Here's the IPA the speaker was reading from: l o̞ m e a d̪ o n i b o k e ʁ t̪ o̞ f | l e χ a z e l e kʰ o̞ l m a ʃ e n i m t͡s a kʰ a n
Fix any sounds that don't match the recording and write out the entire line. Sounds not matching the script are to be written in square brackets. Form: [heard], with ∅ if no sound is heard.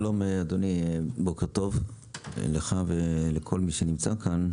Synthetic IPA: l o̞ m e a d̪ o n i b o k e ʁ t̪ o̞ [v] | l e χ a [v] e l e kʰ o̞ l m [i] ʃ e n i m t͡s a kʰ a n